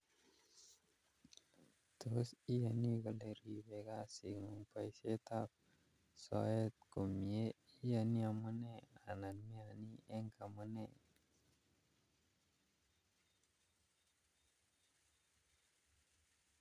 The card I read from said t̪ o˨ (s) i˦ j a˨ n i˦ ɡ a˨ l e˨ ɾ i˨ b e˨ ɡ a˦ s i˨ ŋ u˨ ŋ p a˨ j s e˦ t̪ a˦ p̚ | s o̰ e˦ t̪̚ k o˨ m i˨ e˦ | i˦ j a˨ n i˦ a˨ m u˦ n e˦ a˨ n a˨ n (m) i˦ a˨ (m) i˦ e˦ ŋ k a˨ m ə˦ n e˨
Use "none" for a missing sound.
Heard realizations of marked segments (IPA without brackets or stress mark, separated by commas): s, m, n